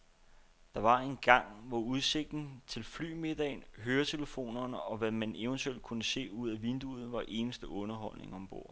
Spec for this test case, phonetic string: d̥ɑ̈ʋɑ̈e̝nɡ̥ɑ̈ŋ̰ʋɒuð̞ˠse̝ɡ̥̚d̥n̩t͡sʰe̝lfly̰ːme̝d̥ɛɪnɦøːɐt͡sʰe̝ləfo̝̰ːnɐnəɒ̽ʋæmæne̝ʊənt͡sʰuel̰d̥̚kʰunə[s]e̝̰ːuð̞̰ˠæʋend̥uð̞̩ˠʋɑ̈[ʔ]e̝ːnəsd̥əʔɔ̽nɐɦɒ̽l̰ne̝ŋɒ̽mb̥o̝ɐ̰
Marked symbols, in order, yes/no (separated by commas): yes, yes